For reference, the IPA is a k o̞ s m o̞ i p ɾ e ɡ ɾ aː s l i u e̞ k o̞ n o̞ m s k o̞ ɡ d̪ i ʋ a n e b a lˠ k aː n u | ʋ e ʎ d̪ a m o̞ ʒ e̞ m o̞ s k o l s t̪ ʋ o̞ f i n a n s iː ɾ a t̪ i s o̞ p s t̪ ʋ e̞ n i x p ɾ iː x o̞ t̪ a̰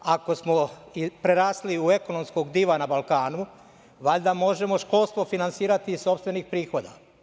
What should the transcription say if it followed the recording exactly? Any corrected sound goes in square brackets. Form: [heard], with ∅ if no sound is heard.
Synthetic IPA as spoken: a k o̞ s m o̞ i p ɾ e [∅] ɾ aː s l i u e̞ k o̞ n o̞ m s k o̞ ɡ d̪ i ʋ a n [a] b a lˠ k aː n u | ʋ [a] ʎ d̪ a m o̞ ʒ e̞ m o̞ [ʃ] k o l s t̪ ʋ o̞ f i n a n s iː ɾ a t̪ i s o̞ p s t̪ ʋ e̞ n i x p ɾ iː x o̞ [d̪] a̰